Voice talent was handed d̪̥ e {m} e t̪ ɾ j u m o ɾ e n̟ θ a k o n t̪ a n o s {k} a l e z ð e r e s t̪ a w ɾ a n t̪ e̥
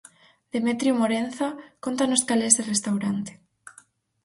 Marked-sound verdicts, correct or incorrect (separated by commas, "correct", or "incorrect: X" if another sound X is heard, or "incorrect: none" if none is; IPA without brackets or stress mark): correct, correct